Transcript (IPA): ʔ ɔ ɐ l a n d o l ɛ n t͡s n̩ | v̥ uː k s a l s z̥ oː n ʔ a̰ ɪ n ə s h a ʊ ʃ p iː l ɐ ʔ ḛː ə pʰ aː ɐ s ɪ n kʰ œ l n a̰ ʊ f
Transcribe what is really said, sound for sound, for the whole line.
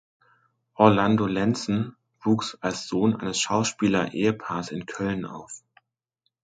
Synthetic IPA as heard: ʔ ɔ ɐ l a n d o l ɛ n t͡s n̩ | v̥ uː k s a l s z̥ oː n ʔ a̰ ɪ n ə s ʃ a ʊ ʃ p iː l ɐ ʔ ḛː ə pʰ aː ɐ s ɪ n kʰ œ l n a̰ ʊ f